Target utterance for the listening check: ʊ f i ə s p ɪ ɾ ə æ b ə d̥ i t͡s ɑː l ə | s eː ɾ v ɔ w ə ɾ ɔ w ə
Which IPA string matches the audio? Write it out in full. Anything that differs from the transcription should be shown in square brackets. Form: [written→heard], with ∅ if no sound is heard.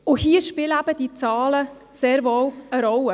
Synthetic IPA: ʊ [f→h] i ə [s→ʃ] p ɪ [ɾ→l] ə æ b ə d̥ i t͡s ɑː l ə | s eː ɾ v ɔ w ə ɾ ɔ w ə